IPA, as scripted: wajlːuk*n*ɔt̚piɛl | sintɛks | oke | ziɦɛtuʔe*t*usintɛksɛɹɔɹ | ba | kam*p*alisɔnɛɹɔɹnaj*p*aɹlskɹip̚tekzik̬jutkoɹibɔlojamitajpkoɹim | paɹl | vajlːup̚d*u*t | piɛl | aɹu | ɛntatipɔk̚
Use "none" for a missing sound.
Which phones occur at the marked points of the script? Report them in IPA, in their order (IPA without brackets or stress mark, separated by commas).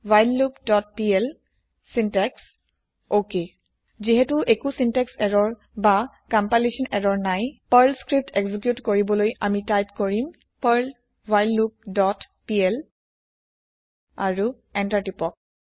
d, k, p, p, ɔ